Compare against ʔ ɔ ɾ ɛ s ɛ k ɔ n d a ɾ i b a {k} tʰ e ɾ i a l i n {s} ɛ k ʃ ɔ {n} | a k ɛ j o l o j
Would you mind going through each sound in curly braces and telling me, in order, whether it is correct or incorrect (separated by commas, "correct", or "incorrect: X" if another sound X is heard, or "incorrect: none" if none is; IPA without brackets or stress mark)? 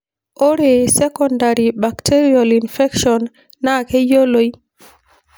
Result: correct, incorrect: f, incorrect: nː